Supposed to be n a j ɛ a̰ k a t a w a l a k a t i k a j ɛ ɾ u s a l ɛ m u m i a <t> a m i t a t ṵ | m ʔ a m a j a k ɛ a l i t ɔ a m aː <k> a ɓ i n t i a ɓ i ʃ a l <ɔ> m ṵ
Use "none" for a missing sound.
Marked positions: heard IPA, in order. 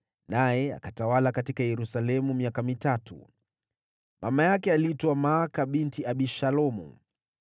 k, k, ɔ

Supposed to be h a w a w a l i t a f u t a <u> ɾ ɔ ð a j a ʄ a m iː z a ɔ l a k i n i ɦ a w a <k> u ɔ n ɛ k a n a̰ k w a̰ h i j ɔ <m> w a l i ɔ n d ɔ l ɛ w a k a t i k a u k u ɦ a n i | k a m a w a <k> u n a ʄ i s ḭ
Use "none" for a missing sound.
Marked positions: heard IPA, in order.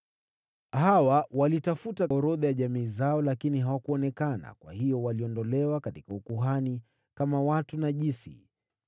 ɔ, k, none, t

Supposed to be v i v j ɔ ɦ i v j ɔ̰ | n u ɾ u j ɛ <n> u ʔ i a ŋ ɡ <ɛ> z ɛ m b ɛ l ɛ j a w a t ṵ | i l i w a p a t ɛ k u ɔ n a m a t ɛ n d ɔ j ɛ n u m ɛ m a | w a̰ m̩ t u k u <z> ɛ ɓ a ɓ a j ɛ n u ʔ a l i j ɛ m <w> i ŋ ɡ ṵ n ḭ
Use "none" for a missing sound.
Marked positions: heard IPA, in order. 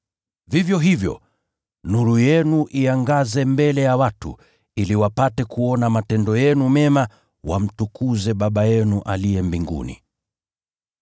n, a, z, b

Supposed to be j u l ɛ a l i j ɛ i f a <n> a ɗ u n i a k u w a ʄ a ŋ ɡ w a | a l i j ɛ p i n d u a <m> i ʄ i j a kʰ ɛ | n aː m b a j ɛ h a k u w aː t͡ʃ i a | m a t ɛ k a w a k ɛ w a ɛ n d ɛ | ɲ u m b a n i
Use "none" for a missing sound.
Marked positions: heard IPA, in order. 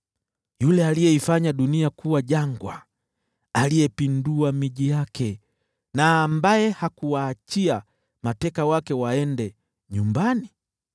ɲ, m

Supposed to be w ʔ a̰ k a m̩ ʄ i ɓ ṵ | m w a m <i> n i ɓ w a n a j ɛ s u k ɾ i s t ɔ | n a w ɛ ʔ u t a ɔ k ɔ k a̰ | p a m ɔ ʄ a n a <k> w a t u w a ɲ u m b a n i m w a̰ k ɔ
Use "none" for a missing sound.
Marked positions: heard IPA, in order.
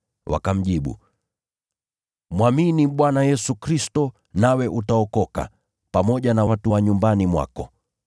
i, none

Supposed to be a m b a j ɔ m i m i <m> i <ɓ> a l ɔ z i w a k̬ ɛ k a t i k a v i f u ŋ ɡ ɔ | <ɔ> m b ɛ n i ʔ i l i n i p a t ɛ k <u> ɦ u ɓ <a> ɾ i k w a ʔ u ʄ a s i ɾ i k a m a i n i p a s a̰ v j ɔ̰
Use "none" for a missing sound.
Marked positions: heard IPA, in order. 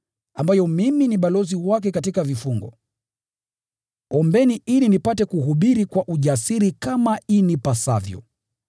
n, ɓ, ɔ, u, i

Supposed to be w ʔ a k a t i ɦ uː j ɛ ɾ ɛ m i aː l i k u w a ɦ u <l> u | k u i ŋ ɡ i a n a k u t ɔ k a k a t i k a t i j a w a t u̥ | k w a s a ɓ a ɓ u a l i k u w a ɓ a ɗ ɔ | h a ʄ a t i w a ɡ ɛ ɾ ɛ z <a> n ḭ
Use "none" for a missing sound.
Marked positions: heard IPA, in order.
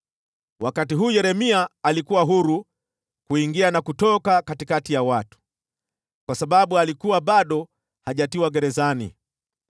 ɾ, a

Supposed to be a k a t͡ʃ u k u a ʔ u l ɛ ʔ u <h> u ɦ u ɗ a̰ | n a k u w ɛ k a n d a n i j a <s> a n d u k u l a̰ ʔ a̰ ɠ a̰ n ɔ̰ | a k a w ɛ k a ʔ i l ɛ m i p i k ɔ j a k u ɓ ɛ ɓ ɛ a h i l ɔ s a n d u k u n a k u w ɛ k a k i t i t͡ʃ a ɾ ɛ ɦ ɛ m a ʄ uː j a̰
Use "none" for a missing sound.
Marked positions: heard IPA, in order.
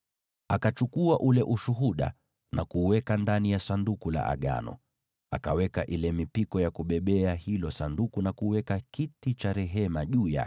ʃ, s

